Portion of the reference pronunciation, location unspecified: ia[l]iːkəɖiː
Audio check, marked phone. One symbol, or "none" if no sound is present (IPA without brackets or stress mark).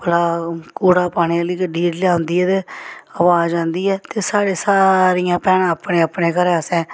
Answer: l